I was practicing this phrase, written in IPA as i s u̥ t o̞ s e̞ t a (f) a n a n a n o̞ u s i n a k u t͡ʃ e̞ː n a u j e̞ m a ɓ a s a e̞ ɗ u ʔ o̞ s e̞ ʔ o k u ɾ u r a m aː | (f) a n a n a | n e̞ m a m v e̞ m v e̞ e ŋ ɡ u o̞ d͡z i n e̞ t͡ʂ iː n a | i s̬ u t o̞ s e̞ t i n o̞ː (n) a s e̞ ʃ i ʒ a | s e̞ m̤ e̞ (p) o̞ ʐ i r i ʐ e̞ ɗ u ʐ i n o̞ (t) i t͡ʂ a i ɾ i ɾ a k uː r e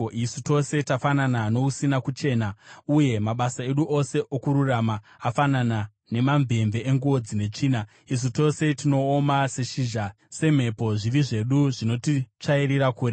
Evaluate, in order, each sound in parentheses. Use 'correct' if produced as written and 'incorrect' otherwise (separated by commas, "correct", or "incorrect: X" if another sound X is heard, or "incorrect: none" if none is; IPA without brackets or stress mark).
correct, correct, incorrect: m, correct, correct